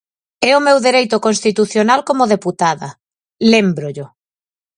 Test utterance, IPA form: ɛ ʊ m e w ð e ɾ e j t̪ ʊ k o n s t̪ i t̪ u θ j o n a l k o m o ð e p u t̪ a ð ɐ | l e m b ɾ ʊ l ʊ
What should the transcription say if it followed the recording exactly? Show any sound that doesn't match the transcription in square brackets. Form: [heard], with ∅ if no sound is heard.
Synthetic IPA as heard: ɛ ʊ m e w ð e ɾ e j t̪ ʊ k o n s t̪ i t̪ u θ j o n a l k o m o ð e p u t̪ a ð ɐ | l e m b ɾ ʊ [ʎ] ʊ